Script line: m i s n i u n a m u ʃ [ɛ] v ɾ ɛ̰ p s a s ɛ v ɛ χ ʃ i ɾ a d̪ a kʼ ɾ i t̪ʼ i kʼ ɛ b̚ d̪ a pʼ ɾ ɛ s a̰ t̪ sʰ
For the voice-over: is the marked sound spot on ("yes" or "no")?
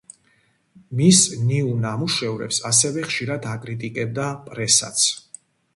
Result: yes